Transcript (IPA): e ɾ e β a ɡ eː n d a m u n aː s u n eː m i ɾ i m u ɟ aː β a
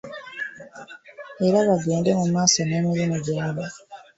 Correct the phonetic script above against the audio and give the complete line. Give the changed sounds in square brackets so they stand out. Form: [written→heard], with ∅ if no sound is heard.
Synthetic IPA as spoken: e ɾ [e→a] β a ɡ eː n d [a→e] m u [n→m] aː s [u→o] n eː m i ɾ i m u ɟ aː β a